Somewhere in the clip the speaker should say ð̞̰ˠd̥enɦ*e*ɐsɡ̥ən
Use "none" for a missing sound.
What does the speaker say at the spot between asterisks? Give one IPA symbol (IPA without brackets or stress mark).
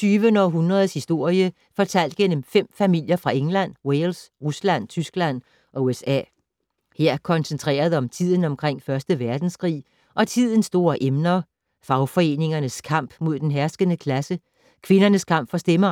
æ